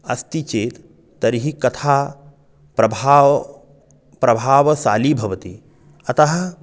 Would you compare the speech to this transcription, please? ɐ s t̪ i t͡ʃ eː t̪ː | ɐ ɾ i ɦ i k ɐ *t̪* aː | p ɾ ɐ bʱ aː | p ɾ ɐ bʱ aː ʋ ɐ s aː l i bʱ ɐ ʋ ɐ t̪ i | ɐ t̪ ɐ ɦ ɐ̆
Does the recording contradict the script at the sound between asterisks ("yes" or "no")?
yes